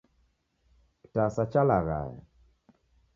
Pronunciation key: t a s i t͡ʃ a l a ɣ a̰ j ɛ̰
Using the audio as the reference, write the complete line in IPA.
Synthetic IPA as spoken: t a s a t͡ʃ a l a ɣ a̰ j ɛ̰